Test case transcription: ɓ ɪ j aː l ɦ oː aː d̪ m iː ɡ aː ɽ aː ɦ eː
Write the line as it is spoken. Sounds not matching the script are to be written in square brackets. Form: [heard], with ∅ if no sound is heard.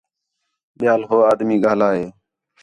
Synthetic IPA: ɓ ɪ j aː l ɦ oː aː d̪ m iː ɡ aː [l] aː ɦ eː